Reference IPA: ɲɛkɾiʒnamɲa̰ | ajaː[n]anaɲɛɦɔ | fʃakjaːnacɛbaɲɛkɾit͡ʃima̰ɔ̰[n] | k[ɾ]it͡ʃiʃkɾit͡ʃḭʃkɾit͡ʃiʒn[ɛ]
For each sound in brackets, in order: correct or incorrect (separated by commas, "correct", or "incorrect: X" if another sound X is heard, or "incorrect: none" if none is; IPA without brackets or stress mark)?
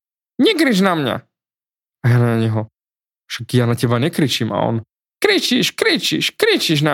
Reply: correct, correct, correct, incorrect: a